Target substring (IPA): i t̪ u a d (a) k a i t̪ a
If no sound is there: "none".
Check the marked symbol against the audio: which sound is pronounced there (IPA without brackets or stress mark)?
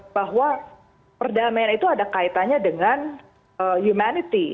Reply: a